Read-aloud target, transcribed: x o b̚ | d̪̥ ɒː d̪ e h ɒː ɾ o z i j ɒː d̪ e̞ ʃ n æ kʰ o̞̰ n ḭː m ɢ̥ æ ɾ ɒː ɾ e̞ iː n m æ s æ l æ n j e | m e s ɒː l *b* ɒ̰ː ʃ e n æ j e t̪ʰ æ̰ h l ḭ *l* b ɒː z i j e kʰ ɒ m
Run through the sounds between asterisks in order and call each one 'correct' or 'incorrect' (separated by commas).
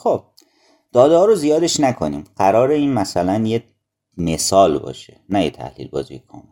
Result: correct, correct